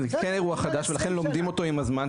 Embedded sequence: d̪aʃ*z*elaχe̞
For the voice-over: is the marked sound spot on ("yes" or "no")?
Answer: no